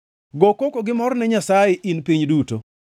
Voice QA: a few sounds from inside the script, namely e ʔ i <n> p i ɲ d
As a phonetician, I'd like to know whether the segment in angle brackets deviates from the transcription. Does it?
no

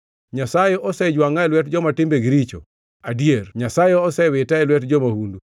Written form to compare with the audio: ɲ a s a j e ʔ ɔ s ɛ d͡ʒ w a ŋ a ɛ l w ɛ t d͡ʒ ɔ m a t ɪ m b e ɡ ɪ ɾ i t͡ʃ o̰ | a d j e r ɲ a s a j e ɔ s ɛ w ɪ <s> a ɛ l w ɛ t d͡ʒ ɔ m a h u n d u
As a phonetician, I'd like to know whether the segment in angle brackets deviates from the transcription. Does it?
yes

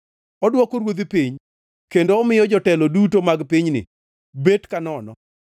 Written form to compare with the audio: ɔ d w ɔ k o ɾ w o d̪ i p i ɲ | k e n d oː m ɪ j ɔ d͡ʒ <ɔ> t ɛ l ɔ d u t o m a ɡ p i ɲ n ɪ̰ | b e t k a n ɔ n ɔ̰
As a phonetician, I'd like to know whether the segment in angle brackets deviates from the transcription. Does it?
no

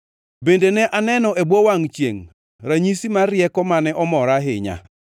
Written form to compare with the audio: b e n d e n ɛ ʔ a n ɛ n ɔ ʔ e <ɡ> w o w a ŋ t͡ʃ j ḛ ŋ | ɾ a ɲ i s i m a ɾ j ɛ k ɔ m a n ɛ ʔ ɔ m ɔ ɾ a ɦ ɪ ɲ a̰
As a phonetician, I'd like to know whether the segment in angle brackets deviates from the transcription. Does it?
yes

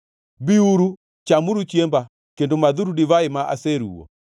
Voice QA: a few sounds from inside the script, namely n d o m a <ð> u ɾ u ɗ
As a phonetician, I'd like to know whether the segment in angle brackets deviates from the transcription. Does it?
no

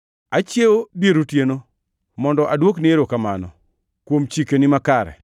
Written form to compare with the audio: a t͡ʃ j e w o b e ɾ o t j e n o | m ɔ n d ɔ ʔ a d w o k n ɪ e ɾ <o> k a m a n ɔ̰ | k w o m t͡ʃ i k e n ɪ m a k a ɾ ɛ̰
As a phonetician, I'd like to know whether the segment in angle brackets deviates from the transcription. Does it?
no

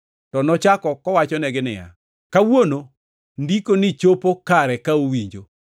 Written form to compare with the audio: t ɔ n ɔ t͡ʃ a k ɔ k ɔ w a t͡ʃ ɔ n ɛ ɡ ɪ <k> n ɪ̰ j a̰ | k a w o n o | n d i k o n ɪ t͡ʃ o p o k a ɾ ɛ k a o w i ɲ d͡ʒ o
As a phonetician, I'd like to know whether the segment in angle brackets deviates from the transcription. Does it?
yes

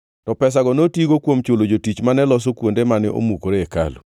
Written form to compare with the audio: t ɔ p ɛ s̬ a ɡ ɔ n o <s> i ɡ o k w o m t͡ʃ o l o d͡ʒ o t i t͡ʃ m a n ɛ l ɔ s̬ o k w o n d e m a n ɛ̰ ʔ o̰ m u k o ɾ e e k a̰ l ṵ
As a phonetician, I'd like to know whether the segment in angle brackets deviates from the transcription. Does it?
yes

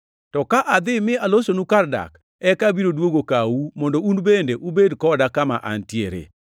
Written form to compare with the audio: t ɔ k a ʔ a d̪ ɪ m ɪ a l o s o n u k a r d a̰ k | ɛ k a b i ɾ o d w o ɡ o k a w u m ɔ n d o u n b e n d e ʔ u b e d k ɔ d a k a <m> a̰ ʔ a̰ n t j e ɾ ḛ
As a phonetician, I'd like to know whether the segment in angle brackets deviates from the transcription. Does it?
no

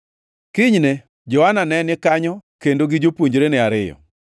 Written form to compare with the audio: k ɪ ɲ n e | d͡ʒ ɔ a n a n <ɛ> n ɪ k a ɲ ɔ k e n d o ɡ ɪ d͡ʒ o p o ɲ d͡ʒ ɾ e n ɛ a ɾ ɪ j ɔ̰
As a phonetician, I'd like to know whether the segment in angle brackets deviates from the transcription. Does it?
no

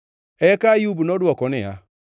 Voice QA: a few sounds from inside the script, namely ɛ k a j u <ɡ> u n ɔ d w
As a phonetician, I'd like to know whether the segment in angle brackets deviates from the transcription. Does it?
yes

